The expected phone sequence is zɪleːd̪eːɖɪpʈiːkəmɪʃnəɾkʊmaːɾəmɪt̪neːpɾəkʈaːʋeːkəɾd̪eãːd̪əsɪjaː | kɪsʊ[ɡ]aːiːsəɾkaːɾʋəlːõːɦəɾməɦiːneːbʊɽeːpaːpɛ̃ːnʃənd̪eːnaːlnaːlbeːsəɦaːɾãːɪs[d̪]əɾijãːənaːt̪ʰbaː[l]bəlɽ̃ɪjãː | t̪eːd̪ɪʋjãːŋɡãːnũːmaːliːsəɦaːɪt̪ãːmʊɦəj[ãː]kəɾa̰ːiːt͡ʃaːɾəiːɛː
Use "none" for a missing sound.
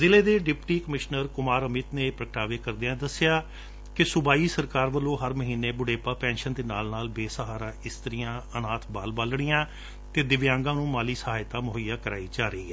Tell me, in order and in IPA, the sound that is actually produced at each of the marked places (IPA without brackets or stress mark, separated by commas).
b, t̪, l, aː